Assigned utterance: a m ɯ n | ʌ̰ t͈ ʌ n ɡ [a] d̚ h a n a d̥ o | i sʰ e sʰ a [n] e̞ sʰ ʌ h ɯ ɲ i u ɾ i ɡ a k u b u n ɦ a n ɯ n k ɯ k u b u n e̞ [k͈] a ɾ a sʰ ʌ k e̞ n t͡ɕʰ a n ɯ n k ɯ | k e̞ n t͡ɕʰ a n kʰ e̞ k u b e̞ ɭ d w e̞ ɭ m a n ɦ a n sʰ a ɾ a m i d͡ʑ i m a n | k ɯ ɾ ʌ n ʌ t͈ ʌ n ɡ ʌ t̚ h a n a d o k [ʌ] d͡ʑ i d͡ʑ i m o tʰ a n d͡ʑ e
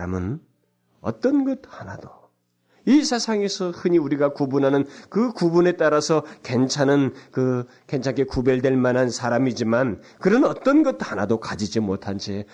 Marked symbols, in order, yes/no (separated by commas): no, no, no, no